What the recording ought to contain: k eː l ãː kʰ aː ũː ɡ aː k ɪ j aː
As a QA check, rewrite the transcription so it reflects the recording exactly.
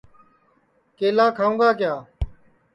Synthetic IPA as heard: k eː l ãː kʰ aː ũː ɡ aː k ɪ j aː